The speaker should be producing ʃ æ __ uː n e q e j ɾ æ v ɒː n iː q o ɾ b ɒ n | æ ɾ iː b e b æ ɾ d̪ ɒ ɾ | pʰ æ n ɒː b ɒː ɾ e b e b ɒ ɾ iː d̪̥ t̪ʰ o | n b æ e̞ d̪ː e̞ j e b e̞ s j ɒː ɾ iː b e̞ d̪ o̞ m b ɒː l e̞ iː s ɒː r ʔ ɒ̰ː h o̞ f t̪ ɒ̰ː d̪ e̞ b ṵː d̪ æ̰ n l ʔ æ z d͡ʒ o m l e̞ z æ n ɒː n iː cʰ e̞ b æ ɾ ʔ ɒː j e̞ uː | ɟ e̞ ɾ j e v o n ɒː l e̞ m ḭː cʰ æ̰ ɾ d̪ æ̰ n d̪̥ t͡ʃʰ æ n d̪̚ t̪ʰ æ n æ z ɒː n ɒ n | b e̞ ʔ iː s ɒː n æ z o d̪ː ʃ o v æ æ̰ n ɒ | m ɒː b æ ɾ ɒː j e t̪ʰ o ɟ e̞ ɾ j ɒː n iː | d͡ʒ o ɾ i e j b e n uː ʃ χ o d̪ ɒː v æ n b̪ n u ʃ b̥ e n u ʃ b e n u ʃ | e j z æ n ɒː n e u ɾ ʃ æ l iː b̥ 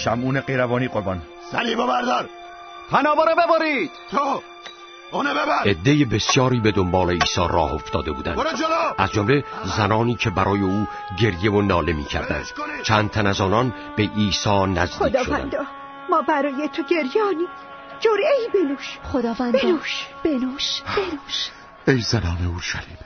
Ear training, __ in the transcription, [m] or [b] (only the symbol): m